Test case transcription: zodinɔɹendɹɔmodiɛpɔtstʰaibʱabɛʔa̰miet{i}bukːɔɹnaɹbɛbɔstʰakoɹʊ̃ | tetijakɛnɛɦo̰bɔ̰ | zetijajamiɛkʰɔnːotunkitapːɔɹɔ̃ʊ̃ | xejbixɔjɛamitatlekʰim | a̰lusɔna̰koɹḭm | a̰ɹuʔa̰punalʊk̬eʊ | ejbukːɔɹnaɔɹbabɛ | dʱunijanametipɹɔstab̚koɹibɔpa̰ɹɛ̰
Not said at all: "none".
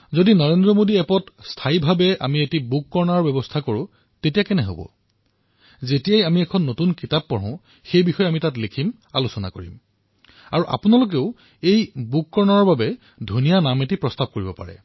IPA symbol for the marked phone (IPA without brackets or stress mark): i